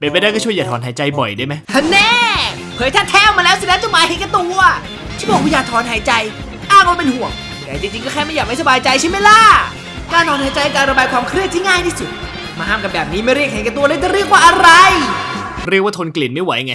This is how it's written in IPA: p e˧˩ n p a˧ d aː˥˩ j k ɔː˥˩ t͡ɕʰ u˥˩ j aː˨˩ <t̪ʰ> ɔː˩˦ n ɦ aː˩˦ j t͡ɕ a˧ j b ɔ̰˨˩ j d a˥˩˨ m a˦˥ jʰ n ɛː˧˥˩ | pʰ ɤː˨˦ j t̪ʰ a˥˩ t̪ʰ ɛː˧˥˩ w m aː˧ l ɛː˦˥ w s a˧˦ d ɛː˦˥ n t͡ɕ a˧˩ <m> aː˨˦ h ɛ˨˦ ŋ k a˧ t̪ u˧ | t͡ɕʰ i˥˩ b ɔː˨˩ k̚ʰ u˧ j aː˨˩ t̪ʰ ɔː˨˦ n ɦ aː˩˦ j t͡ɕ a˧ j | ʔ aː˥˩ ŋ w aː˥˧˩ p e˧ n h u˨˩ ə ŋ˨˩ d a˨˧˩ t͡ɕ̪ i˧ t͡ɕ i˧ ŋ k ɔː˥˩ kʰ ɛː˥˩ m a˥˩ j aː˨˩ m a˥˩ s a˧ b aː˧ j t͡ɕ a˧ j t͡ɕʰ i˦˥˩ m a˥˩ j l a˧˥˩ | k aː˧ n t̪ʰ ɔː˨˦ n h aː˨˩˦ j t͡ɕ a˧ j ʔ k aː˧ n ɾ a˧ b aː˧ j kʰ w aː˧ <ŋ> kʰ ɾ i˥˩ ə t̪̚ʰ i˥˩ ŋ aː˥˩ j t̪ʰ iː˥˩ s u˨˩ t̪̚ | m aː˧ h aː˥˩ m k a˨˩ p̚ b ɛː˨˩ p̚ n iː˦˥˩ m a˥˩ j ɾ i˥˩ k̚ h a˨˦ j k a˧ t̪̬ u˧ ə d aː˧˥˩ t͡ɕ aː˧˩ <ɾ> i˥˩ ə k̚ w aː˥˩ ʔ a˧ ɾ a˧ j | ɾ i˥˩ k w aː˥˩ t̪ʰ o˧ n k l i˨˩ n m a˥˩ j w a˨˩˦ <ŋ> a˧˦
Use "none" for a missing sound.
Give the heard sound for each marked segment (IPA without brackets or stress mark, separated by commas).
t̪ʰ, m, m, ɾ, ŋ